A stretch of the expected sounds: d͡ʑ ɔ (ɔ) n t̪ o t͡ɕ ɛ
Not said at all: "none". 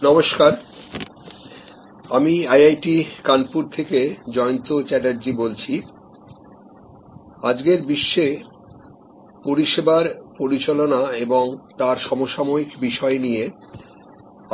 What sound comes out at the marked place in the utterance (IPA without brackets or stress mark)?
o